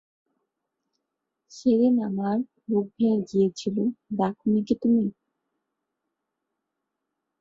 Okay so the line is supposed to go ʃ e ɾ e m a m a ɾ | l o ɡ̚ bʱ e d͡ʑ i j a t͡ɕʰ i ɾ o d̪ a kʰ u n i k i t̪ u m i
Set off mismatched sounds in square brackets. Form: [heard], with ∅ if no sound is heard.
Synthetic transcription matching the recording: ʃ e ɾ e [n] a m a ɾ | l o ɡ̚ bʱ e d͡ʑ i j [e] t͡ɕʰ i [l] o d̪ a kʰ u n i k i t̪ u m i

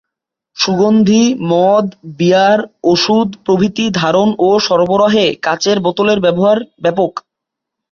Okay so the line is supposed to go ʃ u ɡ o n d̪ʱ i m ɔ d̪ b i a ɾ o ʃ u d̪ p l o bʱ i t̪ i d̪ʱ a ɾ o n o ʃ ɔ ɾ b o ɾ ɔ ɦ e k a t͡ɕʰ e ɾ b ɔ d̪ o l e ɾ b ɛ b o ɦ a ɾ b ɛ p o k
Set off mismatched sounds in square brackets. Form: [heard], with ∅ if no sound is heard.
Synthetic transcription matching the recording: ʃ u ɡ o n d̪ʱ i m ɔ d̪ b i a ɾ o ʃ u d̪ p [ɾ] o bʱ i t̪ i d̪ʱ a ɾ o n o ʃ ɔ ɾ b o ɾ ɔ ɦ e k a [t͡ɕ] e ɾ b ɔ [t̪] o l e ɾ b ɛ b o ɦ a ɾ b ɛ p o k

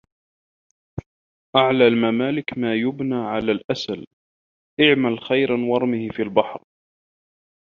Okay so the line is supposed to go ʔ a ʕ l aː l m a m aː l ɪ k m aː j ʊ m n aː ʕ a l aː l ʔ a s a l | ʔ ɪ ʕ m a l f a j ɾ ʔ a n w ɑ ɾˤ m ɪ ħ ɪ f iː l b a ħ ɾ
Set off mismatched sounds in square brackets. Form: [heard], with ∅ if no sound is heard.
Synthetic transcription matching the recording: ʔ a ʕ l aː l m a m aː l ɪ k m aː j ʊ [b] n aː ʕ a l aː l ʔ a s a l | ʔ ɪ ʕ m a l [x] a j ɾ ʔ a n w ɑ ɾˤ m ɪ [h] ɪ f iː l b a ħ ɾ

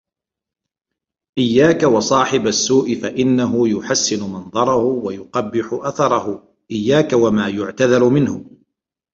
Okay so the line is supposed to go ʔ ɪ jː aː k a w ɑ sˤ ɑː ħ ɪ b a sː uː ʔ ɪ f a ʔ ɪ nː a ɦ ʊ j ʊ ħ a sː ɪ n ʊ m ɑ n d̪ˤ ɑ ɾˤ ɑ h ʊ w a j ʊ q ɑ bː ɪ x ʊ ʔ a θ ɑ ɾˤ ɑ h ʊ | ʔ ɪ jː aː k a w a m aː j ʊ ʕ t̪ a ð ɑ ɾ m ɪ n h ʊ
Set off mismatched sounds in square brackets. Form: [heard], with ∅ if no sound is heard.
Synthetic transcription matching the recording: ʔ ɪ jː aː k a w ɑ sˤ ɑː ħ ɪ b a sː uː ʔ ɪ f a ʔ ɪ nː a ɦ ʊ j ʊ ħ a sː ɪ n ʊ m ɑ n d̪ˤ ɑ ɾˤ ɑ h ʊ w a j ʊ q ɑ bː ɪ [ħ] ʊ ʔ a θ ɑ ɾˤ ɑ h ʊ | ʔ ɪ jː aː k a w a m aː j ʊ ʕ t̪ a ð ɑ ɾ m ɪ n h ʊ

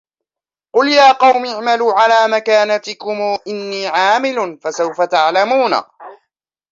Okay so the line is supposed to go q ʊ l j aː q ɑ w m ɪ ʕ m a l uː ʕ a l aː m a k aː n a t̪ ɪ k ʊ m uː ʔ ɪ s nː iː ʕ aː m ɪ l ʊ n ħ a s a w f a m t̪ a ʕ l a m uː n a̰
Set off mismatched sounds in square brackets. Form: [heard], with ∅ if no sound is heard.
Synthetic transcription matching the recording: q ʊ l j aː q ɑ w m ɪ ʕ m a l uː ʕ a l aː m a k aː n a t̪ ɪ k ʊ m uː ʔ ɪ [∅] nː iː ʕ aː m ɪ l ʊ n [f] a s a w f a [∅] t̪ a ʕ l a m uː n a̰

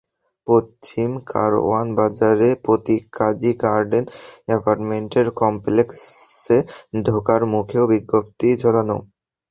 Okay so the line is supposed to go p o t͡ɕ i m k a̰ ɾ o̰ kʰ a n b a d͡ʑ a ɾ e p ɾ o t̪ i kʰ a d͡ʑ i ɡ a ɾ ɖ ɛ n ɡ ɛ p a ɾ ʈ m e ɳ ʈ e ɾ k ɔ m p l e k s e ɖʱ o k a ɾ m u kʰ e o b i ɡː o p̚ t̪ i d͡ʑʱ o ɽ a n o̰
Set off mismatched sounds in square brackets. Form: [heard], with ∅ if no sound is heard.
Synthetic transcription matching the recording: p o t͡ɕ i m k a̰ ɾ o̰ [∅] a n b a d͡ʑ a ɾ e p ɾ o t̪ i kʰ a d͡ʑ i ɡ a ɾ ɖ [e] n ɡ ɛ p a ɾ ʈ m e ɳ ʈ e ɾ k ɔ m p l e k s e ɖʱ o k a ɾ m u kʰ e o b i ɡː o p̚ t̪ i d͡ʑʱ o [l] a n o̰

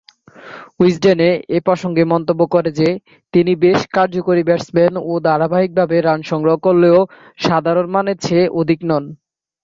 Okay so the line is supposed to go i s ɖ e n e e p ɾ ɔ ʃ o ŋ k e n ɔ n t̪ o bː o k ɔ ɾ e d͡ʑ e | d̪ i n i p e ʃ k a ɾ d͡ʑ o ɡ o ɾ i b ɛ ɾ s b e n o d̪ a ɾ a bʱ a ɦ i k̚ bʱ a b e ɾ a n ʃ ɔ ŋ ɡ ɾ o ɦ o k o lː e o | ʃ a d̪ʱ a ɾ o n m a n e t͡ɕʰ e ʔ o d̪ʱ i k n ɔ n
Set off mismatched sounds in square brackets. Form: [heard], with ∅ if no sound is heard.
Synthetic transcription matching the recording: i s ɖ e n e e p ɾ ɔ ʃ o ŋ [ɡ] e [m] ɔ n t̪ o bː o k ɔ ɾ e d͡ʑ e | [t̪] i n i [b] e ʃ k a ɾ d͡ʑ o [k] o ɾ i b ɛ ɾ s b e n o d̪ a ɾ a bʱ a ɦ i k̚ bʱ a b e ɾ a n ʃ ɔ ŋ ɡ ɾ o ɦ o k o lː e o | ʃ a d̪ʱ a ɾ o n m a n e t͡ɕʰ e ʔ o d̪ʱ i k n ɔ n

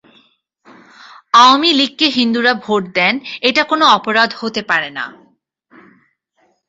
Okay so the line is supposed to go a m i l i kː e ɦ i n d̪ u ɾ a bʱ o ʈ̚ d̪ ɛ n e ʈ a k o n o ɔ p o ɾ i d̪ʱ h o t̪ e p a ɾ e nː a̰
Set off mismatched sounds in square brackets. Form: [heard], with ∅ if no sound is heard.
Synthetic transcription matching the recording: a m i l i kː e ɦ i n d̪ u ɾ a bʱ o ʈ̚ d̪ ɛ n e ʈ a k o n o ɔ p o ɾ [a] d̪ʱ h o t̪ e p a ɾ e [n] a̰

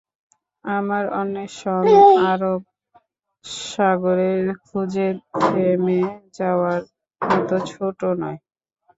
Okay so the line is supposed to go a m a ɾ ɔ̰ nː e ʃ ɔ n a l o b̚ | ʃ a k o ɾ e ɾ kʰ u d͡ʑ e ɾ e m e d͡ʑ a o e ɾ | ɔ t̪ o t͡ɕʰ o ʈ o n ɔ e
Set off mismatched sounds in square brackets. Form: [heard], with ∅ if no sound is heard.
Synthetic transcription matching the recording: a m a ɾ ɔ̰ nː e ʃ ɔ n a [ɾ] o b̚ | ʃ a [ɡ] o ɾ e ɾ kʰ u d͡ʑ e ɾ e m e d͡ʑ a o [a] ɾ | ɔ t̪ o t͡ɕʰ o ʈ o n ɔ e

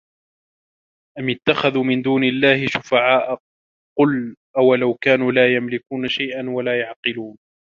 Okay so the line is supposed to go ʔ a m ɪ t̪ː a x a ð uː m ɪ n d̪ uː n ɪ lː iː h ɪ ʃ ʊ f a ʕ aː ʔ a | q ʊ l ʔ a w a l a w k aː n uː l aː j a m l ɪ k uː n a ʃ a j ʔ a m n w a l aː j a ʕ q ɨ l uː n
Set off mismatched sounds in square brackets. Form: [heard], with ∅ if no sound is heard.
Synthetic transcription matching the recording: ʔ a m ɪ t̪ː a x a ð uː m ɪ n d̪ uː n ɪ lː [aː] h ɪ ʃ ʊ f a ʕ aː ʔ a | q ʊ l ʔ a w a l a w k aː n uː l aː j a m l ɪ k uː n a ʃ a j ʔ a [∅] n w a l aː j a ʕ q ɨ l uː n

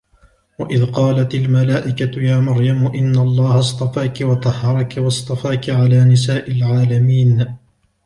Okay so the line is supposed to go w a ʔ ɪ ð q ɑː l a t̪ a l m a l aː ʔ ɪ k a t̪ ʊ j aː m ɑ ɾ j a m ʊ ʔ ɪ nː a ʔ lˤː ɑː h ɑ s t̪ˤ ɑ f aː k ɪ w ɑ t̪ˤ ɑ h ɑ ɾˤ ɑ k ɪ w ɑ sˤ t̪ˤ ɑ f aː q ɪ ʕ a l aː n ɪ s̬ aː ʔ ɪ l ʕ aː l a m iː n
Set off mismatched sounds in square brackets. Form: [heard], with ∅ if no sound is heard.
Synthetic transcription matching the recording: w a ʔ ɪ ð q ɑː l a t̪ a l m a l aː ʔ ɪ k a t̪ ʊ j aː m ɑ ɾ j a m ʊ ʔ ɪ nː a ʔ lˤː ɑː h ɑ s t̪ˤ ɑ f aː k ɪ w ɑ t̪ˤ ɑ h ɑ ɾˤ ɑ k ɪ w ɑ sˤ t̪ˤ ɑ f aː [k] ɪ ʕ a l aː n ɪ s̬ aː ʔ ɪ l ʕ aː l a m iː n

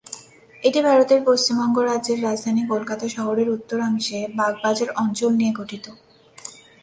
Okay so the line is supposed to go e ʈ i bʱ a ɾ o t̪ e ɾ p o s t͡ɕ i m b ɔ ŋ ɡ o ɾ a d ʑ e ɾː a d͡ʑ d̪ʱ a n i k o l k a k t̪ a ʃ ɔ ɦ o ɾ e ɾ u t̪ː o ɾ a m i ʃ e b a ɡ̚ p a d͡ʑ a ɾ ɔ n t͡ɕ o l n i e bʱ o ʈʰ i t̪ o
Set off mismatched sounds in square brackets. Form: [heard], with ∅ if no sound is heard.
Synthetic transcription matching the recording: e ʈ i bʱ a ɾ o t̪ e ɾ p o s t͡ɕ i m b ɔ ŋ ɡ o ɾ a d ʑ e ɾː a d͡ʑ d̪ʱ a n i k o l k a [∅] t̪ a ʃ ɔ ɦ o ɾ e ɾ u t̪ː o ɾ a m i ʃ e b a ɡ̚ [b] a d͡ʑ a ɾ ɔ n t͡ɕ o l n i e [ɡʱ] o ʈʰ i t̪ o

